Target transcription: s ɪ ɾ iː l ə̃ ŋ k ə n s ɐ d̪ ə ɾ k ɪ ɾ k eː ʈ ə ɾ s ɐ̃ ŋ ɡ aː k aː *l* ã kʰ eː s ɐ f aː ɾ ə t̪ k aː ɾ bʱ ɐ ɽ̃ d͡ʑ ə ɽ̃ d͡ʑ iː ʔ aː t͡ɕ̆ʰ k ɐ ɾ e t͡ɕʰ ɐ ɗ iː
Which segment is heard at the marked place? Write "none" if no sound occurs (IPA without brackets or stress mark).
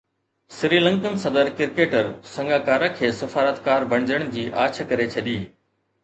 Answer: ɾ